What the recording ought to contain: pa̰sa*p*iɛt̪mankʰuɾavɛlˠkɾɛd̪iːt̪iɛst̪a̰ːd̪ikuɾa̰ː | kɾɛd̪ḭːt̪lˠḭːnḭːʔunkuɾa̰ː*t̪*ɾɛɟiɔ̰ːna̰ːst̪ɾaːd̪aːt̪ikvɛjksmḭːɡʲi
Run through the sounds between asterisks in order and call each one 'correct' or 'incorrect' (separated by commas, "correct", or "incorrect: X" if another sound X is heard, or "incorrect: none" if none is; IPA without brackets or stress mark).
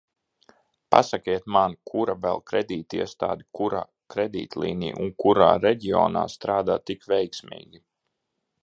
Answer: incorrect: k, incorrect: none